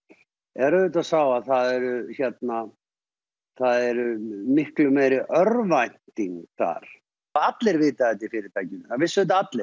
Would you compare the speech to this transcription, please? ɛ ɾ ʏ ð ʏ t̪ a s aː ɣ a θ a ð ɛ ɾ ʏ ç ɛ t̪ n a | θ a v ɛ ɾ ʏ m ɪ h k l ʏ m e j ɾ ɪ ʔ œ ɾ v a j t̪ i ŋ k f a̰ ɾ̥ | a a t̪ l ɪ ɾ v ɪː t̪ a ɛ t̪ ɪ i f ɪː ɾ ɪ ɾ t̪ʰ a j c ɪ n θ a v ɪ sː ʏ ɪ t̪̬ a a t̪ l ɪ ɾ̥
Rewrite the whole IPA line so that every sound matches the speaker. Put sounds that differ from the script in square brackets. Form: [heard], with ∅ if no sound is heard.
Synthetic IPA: ɛ ɾ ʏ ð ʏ t̪ a s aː [w] a θ a ð ɛ ɾ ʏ ç ɛ t̪ n a | θ a [ð] ɛ ɾ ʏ m ɪ h k l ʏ m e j ɾ ɪ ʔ œ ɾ v a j t̪ i ŋ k [θ] a̰ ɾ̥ | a a t̪ l ɪ ɾ v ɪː t̪ a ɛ t̪ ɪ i f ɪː ɾ ɪ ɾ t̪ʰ a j c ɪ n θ a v ɪ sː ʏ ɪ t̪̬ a a t̪ l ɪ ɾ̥